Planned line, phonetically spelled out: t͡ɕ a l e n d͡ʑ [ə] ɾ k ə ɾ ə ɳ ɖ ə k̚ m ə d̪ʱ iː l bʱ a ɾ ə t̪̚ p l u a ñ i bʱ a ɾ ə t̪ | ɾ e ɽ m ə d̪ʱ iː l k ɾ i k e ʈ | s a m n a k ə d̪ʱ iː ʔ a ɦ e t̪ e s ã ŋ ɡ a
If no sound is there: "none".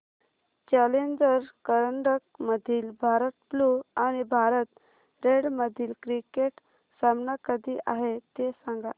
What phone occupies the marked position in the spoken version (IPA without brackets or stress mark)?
ə